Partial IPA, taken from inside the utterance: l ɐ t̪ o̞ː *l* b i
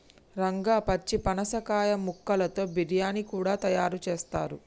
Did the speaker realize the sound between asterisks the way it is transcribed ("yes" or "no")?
no